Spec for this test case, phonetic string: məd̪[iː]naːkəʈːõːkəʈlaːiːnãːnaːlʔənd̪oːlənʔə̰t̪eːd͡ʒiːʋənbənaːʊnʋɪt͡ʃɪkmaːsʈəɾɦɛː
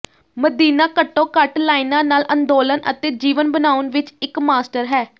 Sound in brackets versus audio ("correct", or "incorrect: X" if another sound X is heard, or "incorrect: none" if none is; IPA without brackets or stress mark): correct